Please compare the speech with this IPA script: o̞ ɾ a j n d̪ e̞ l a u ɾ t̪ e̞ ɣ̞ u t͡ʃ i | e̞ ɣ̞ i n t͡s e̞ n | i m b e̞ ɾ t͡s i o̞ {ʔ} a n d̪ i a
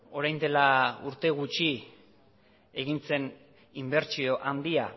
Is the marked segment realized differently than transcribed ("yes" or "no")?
no